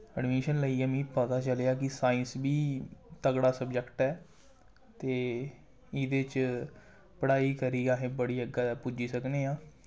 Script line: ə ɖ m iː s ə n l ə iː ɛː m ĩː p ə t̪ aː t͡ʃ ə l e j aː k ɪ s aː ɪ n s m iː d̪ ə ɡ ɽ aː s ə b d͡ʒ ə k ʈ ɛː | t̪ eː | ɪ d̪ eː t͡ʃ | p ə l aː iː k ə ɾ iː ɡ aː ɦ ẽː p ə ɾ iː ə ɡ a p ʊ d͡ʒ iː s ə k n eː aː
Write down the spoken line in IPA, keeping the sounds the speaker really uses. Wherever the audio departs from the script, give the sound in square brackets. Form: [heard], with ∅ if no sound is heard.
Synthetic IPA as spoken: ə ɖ m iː [ʃ] ə n l ə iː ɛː m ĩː p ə t̪ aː t͡ʃ ə l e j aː k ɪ s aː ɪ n s [b] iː [t̪] ə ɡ ɽ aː s ə b d͡ʒ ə k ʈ ɛː | t̪ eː | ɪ d̪ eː t͡ʃ | p ə [ɽ] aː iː k ə ɾ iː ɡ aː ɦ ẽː [b] ə [ɽ] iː ə ɡ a p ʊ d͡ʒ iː s ə k n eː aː